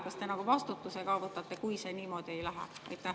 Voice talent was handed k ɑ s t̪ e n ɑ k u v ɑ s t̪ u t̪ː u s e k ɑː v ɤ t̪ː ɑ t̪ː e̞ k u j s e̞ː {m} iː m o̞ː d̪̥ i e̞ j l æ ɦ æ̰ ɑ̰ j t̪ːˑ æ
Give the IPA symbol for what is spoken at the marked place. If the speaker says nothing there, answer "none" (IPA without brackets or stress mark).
n